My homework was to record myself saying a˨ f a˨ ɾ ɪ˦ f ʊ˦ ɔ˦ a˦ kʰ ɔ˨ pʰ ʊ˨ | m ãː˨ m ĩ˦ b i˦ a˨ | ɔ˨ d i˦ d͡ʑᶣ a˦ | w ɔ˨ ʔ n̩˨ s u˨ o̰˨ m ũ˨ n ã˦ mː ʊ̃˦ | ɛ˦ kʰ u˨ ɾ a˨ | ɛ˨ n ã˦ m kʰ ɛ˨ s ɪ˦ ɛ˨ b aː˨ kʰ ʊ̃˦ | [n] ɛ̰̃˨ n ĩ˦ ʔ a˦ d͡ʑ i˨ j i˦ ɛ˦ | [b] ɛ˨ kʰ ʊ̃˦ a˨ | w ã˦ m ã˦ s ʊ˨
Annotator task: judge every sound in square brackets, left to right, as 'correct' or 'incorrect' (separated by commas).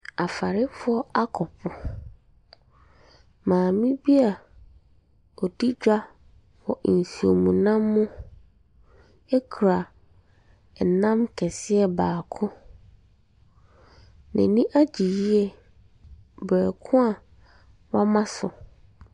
correct, correct